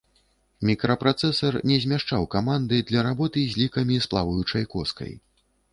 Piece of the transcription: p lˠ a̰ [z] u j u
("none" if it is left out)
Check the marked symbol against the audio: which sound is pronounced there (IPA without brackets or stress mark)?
v